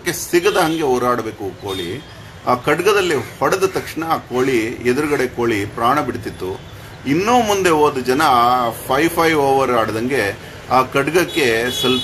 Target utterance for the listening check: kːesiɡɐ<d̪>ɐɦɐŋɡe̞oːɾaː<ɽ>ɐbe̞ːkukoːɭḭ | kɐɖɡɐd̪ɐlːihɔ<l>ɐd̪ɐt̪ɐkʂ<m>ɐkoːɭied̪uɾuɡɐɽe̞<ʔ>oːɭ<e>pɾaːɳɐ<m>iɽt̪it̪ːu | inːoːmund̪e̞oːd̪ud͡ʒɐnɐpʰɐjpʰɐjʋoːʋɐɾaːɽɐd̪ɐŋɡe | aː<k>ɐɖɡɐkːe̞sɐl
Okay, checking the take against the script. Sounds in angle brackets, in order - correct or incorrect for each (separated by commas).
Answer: correct, correct, incorrect, incorrect, incorrect, incorrect, incorrect, correct